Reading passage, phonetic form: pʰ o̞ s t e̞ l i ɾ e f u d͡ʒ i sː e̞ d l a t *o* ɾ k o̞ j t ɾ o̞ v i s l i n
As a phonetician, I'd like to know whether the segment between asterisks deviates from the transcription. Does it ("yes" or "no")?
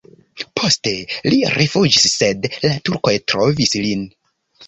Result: yes